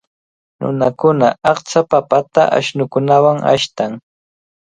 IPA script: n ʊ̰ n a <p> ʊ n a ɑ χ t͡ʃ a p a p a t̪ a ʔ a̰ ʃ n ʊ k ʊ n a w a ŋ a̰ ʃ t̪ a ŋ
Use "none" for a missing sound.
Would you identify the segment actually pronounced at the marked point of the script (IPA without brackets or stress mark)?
k